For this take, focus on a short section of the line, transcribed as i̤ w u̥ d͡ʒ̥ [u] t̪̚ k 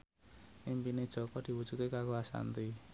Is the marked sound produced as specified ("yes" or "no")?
yes